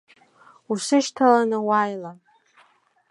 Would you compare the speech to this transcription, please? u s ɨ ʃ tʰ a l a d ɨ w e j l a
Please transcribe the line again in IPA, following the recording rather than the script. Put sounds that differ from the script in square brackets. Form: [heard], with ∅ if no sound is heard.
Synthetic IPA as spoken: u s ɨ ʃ tʰ a l a [n] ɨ w [a] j l a